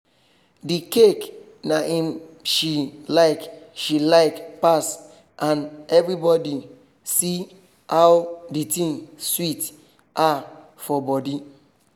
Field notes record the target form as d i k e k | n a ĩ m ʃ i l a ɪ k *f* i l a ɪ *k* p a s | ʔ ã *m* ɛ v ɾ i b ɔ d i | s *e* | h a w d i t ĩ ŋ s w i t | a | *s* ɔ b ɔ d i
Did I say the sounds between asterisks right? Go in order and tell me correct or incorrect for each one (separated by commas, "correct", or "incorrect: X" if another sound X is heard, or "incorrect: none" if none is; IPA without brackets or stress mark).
incorrect: ʃ, correct, incorrect: n, incorrect: i, incorrect: f